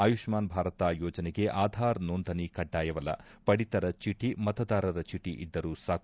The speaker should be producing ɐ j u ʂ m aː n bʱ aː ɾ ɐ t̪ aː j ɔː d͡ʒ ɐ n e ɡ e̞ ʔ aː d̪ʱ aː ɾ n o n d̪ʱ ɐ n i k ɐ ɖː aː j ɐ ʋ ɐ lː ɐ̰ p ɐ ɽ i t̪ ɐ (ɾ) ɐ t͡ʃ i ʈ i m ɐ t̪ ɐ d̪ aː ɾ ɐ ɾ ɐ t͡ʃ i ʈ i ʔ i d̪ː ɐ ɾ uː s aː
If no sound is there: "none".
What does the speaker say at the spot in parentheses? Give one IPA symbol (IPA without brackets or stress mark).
ɾ